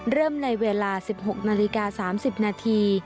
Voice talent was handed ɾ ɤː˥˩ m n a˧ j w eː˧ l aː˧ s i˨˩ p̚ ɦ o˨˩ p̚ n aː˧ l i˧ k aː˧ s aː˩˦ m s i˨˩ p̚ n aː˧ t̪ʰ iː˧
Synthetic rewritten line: ɾ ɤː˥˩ m n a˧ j w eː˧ l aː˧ s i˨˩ p̚ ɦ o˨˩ k̚ n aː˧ l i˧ k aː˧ s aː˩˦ m s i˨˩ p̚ n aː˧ t̪ʰ iː˧

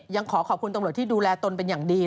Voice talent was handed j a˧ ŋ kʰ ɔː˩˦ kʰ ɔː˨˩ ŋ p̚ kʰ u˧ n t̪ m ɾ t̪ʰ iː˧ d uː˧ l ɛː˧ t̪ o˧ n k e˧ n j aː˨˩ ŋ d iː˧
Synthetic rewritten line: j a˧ ŋ kʰ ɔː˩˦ kʰ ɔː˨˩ p̚ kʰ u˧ n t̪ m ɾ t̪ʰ iː˥˩ d uː˧ l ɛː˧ t̪ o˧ n p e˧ n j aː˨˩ ŋ d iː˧

